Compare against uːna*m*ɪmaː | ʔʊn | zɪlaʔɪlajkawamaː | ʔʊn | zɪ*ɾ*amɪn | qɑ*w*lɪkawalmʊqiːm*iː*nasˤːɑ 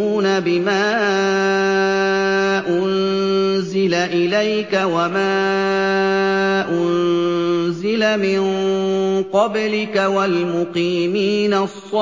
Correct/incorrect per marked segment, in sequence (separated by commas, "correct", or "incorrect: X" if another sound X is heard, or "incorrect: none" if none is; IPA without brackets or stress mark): incorrect: b, incorrect: l, incorrect: b, correct